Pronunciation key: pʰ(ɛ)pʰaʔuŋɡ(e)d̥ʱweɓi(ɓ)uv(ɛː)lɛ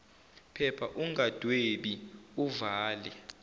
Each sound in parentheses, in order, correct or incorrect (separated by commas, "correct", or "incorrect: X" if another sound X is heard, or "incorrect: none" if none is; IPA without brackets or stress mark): correct, incorrect: a, incorrect: none, incorrect: aː